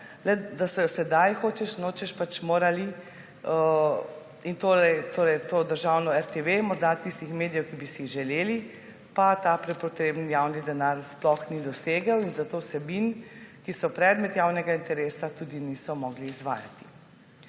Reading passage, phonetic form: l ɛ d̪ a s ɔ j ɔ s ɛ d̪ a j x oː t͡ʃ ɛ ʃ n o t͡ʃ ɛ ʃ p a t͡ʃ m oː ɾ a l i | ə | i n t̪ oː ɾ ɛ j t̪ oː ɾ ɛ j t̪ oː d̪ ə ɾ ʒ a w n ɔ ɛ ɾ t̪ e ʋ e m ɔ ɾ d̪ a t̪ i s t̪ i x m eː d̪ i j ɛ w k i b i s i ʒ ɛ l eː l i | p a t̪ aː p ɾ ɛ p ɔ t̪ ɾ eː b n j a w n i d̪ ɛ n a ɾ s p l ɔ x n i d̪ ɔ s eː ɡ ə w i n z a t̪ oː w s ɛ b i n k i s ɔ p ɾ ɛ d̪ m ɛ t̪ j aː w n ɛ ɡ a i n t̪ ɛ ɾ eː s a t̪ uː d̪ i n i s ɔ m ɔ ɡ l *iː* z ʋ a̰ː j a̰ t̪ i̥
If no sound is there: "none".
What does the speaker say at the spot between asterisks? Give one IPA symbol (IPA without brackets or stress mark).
iː